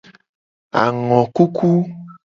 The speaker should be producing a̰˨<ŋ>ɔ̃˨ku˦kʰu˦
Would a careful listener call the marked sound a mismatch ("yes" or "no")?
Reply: no